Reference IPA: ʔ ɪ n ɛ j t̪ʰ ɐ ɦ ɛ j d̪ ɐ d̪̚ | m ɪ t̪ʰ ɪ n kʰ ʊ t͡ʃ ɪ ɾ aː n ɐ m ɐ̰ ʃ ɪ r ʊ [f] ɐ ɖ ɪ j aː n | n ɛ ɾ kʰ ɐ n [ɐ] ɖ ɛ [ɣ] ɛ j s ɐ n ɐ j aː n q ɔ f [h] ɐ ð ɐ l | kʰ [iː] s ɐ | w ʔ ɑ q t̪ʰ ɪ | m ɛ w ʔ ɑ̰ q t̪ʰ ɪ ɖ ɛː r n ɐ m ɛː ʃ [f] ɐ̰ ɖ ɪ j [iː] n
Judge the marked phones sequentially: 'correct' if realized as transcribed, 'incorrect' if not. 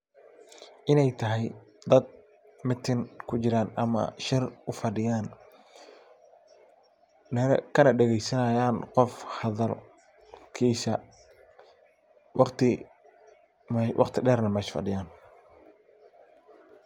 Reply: correct, correct, correct, correct, correct, correct, incorrect

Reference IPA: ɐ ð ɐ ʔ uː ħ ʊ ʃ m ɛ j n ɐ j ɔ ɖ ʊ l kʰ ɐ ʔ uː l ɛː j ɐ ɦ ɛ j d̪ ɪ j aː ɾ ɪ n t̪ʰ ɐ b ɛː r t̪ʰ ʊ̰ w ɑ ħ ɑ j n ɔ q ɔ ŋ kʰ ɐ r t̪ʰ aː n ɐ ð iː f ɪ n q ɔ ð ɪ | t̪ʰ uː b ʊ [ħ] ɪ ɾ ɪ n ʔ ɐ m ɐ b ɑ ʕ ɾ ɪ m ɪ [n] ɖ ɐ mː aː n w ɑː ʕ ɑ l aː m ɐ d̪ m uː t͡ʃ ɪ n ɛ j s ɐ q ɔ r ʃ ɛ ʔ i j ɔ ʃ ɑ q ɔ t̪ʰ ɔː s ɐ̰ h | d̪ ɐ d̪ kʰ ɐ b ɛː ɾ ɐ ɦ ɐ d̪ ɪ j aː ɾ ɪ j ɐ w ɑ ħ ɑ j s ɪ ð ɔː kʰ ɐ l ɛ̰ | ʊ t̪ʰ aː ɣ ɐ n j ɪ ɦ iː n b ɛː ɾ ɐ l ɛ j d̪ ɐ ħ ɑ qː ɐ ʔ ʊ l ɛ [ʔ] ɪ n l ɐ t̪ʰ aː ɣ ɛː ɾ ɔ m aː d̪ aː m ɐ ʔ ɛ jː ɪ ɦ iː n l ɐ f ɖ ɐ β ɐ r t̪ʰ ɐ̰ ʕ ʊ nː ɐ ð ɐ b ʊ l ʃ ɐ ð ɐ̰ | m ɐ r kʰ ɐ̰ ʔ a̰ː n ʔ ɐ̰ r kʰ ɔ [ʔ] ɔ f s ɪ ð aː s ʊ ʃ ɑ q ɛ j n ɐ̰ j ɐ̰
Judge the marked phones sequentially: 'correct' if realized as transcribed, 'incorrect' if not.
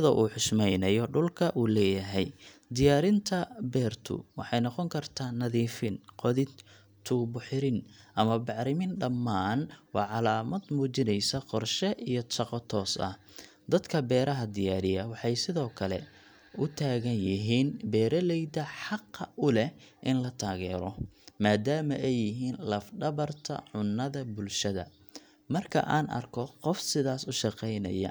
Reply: correct, correct, correct, incorrect

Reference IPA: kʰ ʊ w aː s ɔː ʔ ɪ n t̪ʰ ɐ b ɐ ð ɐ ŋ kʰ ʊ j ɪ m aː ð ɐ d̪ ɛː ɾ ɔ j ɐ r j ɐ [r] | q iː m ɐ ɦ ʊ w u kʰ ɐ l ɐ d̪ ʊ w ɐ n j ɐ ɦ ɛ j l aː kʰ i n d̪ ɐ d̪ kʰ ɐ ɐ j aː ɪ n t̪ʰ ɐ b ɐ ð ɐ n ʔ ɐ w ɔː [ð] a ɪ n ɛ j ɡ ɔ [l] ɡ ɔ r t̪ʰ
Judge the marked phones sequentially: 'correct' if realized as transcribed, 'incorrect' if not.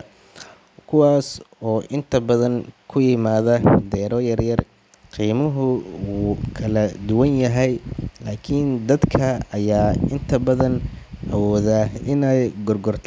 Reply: correct, correct, incorrect

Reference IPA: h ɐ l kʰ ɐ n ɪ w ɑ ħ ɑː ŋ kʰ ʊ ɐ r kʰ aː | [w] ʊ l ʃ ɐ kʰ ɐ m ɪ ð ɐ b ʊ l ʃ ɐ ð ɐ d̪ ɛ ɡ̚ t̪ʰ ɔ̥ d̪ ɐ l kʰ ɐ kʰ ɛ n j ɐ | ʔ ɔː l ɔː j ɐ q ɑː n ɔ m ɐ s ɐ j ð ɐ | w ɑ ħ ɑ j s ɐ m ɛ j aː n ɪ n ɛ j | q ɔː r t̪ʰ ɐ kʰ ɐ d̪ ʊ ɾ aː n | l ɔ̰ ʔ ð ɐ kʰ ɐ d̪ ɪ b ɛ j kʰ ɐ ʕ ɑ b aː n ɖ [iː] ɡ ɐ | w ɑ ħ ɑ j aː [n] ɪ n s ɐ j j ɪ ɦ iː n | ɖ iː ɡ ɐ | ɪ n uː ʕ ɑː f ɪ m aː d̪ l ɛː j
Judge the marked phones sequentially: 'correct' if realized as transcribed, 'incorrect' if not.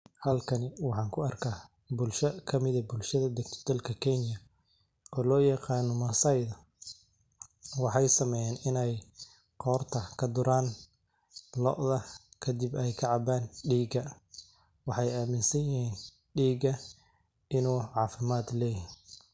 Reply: incorrect, correct, incorrect

